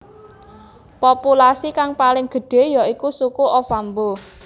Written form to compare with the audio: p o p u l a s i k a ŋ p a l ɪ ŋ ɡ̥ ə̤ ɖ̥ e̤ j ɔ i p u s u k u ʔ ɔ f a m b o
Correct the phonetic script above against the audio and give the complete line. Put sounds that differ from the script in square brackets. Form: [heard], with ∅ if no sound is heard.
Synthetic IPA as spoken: p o p u l a s i k a ŋ p a l ɪ ŋ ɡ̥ ə̤ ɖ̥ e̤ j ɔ i [k] u s u k u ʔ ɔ f a m b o